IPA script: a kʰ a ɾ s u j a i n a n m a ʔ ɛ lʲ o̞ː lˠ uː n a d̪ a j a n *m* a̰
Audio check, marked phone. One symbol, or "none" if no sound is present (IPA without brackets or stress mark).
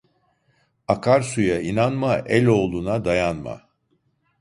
m